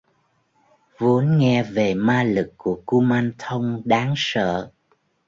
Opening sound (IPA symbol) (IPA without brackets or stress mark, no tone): v